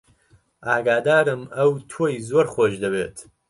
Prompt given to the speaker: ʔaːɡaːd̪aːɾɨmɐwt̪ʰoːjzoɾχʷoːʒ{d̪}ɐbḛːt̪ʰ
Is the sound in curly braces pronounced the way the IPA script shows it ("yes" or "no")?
yes